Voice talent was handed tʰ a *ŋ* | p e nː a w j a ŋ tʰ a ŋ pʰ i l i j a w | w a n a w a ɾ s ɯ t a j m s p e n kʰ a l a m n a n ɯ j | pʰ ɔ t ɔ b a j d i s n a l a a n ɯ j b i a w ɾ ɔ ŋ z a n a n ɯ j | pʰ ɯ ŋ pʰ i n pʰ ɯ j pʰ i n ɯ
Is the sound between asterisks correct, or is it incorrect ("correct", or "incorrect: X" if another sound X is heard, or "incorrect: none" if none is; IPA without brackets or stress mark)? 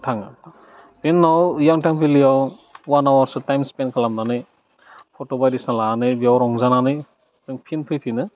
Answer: correct